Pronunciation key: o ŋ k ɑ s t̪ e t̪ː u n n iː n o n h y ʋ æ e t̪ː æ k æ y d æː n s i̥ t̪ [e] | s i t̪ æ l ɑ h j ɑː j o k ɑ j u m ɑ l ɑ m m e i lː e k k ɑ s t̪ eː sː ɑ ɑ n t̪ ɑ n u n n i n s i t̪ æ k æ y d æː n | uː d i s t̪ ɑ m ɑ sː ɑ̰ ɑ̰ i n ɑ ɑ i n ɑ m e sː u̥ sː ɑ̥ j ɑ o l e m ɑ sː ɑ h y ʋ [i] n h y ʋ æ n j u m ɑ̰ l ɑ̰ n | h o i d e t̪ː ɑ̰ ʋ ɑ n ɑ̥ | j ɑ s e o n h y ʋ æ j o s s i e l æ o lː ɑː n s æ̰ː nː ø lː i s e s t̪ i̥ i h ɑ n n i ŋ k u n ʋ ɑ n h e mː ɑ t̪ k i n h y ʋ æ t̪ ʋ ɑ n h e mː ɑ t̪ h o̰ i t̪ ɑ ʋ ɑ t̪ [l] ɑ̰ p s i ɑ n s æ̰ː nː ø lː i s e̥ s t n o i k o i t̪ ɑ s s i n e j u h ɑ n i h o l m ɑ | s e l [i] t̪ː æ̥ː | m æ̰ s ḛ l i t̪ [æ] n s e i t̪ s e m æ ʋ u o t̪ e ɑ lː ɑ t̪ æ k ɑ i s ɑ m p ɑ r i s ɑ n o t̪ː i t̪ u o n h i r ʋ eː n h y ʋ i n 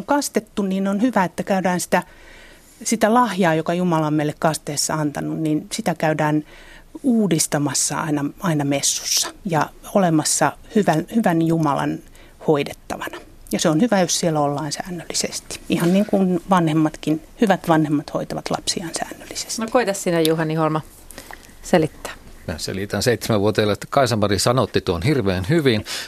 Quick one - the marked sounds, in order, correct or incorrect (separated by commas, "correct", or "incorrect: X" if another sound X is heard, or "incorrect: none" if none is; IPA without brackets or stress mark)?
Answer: incorrect: æ, incorrect: æ, correct, correct, correct